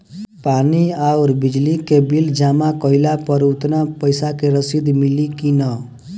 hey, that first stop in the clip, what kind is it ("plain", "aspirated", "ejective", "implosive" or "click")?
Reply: plain